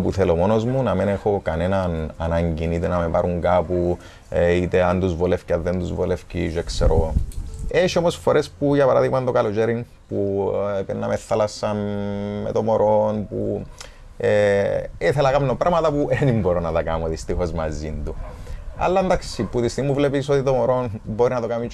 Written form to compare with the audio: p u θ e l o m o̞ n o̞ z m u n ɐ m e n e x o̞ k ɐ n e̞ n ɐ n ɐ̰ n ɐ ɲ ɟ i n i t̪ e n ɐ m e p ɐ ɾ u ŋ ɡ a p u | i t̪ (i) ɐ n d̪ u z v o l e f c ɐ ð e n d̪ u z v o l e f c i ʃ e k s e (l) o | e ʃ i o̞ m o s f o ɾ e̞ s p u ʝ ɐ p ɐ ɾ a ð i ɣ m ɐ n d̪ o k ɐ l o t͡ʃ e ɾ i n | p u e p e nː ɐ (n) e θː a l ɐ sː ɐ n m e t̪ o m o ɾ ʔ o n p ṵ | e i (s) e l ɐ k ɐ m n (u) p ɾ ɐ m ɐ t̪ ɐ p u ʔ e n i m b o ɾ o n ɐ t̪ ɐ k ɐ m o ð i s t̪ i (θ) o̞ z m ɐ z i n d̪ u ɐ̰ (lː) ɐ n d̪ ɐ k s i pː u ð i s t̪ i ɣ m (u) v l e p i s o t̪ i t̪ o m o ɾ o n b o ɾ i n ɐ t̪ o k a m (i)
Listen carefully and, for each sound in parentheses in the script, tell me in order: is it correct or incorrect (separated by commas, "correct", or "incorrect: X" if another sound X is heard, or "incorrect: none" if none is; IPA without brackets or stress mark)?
incorrect: e, incorrect: ɾ, incorrect: m, incorrect: θ, incorrect: o, incorrect: x, correct, correct, correct